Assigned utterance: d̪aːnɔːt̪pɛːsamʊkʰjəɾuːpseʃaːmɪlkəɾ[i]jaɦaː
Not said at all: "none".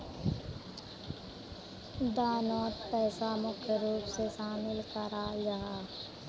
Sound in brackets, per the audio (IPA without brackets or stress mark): a